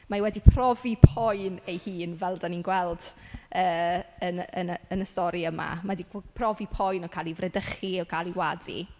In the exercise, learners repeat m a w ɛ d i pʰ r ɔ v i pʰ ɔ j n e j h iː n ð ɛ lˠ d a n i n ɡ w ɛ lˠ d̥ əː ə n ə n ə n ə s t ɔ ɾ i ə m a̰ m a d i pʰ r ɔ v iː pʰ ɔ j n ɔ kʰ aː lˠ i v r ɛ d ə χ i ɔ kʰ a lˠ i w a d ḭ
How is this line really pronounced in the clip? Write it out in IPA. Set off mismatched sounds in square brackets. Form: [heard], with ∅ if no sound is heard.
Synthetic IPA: m a w ɛ d i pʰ r ɔ v i pʰ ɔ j n e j h iː n [v] ɛ lˠ d a n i n ɡ w ɛ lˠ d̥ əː ə n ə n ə n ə s t ɔ ɾ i ə m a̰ m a d i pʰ r ɔ v [i] pʰ ɔ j n ɔ kʰ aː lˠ i v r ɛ d ə χ i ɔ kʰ a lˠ i w a d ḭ